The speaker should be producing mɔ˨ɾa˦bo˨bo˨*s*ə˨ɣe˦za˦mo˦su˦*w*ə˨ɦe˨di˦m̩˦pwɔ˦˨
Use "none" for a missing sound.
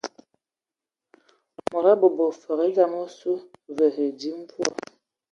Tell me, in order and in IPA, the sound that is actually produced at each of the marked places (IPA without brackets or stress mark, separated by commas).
f, v